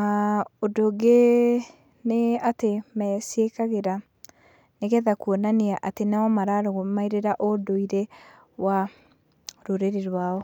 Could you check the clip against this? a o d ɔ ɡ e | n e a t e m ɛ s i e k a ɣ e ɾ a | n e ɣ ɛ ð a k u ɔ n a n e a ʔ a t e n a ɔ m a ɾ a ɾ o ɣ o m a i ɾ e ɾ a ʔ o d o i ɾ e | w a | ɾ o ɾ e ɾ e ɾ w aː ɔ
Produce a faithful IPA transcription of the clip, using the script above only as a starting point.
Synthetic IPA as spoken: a o d o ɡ e | n e a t e m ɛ s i e k a ɣ e ɾ a | n e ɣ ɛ ð a k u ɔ n a n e a ʔ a t e n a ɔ m a ɾ a ɾ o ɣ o m a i ɾ e ɾ a ʔ o d o i ɾ e | w a | ɾ o ɾ e ɾ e ɾ w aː ɔ

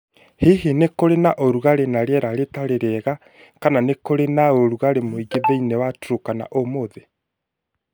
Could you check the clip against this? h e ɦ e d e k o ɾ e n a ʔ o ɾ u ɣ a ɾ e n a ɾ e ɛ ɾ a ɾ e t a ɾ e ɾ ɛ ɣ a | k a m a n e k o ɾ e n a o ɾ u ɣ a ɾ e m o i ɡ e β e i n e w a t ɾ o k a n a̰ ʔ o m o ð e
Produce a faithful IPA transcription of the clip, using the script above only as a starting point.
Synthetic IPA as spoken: h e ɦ e n e k o ɾ e n a ʔ o ɾ u ɣ a ɾ e n a ɾ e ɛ ɾ a ɾ e t a ɾ e ɾ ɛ ɣ a | k a n a n e k o ɾ e n a o ɾ u ɣ a ɾ e m o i ɡ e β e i n e w a t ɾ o k a n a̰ ʔ o m o ð e

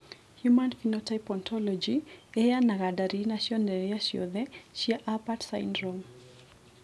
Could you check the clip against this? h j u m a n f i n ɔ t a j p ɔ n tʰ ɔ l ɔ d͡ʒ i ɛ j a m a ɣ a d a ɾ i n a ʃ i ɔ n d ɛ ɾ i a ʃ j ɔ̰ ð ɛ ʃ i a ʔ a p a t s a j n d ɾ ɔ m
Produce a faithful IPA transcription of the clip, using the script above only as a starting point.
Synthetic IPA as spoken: h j u m a n f i n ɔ t a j p ɔ n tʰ ɔ l ɔ d͡ʒ i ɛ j a n a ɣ a d a ɾ i n a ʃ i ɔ n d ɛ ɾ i a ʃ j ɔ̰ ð ɛ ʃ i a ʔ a p a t s a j n d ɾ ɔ m

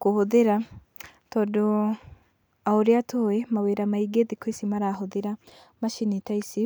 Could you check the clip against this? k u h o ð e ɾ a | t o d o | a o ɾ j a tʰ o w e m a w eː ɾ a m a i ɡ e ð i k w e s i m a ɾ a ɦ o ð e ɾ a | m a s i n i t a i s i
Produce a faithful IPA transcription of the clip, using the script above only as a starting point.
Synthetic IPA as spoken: k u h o ð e ɾ a | t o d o | a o ɾ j a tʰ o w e m a w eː ɾ a m a i ɡ e ð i k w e s i m a ɾ a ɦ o ð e ɾ a | m a ʃ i n i t a i s i

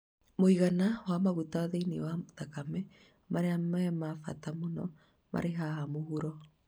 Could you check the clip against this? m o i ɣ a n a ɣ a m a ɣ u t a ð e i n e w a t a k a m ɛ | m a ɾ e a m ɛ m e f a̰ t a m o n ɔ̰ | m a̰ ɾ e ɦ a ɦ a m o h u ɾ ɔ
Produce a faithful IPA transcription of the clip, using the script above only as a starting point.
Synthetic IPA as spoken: m o i ɣ a n a w a m a ɣ u t a ð e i n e w a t a k a m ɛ | m a ɾ e a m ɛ m a f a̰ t a m o n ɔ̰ | m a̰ ɾ e ɦ a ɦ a m o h u ɾ ɔ

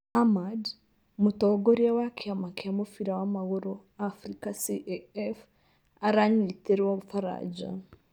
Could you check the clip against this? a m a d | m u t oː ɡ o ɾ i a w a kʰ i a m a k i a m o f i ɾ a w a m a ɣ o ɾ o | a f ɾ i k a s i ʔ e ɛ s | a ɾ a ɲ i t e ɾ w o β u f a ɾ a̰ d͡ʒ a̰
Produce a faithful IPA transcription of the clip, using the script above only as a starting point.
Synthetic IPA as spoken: a m a d | m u t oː ɡ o ɾ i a w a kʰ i a m a k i a m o f i ɾ a w a m a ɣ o ɾ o | a f ɾ i k a s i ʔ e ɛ f | a ɾ a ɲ i t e ɾ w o β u f a ɾ a̰ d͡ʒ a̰

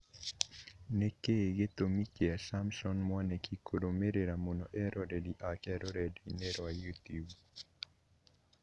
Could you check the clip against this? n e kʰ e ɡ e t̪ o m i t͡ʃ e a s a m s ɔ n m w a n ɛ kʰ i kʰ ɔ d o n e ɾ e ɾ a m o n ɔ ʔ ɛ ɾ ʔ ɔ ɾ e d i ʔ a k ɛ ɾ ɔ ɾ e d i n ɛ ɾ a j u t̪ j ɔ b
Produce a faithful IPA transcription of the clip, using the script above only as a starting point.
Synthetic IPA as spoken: n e k e ɡ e t̪ o m i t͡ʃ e a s a m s ɔ n m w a n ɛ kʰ i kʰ o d o m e ɾ e ɾ a m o n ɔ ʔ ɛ ɾ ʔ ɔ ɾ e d i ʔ a k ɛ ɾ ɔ ɾ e d i n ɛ ɾ a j u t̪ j u b

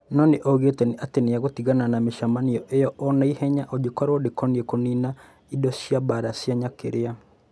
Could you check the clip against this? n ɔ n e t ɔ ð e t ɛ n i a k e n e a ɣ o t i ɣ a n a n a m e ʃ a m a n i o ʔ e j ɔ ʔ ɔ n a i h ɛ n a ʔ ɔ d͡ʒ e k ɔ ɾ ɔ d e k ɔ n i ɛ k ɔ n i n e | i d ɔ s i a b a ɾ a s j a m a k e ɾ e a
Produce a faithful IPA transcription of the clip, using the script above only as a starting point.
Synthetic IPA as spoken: n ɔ n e ʔ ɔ ɣ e t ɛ n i a t e n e a ɣ o t i ɣ a n a n a m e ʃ a m a n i ɔ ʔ e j ɔ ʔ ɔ n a i h ɛ ɲ a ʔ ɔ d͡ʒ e k ɔ ɾ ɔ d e k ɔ n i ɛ k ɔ n i n a | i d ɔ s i a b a ɾ a s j a ɲ a k e ɾ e a

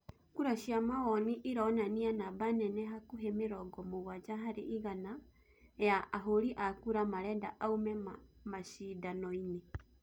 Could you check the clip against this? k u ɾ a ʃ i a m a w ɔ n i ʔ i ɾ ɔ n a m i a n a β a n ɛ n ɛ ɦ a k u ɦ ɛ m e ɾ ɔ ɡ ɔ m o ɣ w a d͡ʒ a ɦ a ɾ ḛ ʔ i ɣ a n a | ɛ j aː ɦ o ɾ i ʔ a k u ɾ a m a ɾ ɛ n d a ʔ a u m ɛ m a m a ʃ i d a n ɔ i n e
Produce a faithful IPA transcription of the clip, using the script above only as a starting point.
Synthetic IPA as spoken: k u ɾ a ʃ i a m a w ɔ n i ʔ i ɾ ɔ n a n i a n a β a n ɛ n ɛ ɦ a k u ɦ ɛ m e ɾ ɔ ɡ ɔ m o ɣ w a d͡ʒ a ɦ a ɾ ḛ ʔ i ɣ a n a | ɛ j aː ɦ o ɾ i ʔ a k u ɾ a m a ɾ ɛ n d a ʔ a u m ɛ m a m a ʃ i d a n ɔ i n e

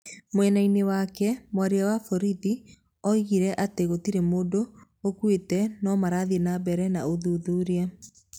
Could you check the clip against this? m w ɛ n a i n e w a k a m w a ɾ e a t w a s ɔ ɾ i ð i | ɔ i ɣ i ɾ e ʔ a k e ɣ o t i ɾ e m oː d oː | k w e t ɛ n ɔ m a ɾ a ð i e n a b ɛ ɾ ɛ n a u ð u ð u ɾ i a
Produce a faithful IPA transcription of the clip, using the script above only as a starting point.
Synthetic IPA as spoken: m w ɛ n a i n e w a k ɛ m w a ɾ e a w a f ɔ ɾ i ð i | ɔ i ɣ i ɾ ɛ ʔ a t e ɣ o t i ɾ e m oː d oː | k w e t ɛ n ɔ m a ɾ a ð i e n a b ɛ ɾ ɛ n a o ð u ð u ɾ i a

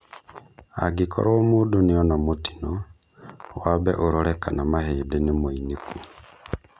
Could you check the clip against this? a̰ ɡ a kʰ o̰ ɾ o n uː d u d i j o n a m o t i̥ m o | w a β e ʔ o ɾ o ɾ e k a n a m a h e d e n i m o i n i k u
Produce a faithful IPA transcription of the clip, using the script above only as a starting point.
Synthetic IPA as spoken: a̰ ɡ i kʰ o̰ ɾ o m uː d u n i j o n a m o t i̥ n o | w a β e ʔ o ɾ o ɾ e k a n a m a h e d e n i m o i n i k u

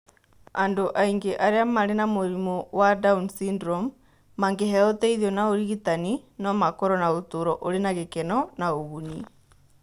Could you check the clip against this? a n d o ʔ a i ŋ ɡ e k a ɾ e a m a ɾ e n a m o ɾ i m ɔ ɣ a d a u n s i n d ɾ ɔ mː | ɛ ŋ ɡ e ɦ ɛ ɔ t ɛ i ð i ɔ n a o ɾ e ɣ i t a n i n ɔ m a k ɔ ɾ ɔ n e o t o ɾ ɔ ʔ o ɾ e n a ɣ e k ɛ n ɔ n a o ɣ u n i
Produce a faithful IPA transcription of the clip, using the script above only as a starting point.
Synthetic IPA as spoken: a n d o ʔ a i ŋ ɡ e ʔ a ɾ e a m a ɾ e n a m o ɾ i m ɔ w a d a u n s i n d ɾ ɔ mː | a ŋ ɡ e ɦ ɛ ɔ t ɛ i ð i ɔ n a o ɾ i ɣ i t a n i n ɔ m a k ɔ ɾ ɔ n a o t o ɾ ɔ ʔ o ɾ e n a ɣ e k ɛ n ɔ n a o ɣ u n i

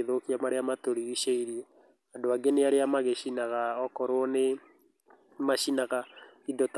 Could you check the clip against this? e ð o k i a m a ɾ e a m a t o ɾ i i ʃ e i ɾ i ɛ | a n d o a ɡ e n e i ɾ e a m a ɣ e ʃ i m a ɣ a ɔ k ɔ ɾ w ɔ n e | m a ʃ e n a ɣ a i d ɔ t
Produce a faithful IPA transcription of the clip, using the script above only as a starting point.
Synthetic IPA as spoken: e ð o k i a m a ɾ e a m a t o ɾ i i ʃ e i ɾ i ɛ | a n d o a ɡ e n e a ɾ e a m a ɣ e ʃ i n a ɣ a ɔ k ɔ ɾ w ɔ n e | m a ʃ i n a ɣ a i d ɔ t

